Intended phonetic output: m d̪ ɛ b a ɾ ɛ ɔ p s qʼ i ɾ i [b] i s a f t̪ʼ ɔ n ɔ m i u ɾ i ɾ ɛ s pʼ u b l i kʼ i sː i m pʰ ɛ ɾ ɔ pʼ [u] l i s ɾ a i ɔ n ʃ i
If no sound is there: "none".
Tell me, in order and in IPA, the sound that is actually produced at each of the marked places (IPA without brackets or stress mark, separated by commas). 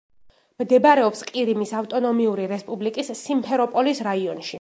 m, ɔ